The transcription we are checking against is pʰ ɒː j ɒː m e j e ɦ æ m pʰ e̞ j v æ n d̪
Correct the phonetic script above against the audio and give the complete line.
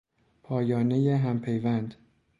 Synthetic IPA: pʰ ɒː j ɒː n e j e ɦ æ m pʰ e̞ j v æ n d̪